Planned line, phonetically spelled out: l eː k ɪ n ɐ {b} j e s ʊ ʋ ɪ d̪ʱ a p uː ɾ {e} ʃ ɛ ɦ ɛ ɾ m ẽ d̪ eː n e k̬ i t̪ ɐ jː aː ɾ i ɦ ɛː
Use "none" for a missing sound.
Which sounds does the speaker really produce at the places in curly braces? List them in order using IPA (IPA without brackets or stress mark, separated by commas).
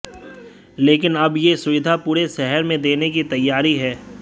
b, e